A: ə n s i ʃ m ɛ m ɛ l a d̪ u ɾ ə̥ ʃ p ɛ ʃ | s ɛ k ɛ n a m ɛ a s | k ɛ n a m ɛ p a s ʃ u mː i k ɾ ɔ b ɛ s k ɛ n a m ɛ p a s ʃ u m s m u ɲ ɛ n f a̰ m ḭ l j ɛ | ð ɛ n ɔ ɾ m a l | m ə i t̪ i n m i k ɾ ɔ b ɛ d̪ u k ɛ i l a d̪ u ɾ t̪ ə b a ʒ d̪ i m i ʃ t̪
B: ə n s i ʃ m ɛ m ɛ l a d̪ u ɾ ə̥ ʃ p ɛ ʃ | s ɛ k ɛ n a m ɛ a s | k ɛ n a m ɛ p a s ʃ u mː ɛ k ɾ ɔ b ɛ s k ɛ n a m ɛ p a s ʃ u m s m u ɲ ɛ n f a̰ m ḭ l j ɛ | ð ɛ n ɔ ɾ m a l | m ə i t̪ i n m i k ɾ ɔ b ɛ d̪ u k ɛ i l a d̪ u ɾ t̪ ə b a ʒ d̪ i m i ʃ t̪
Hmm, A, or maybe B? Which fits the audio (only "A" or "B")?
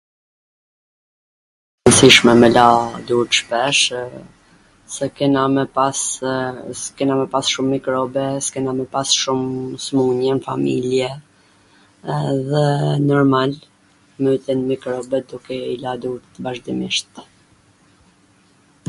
A